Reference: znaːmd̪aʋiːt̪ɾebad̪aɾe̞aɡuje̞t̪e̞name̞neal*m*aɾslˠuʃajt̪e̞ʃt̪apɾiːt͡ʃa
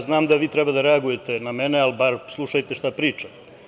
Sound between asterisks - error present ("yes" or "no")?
yes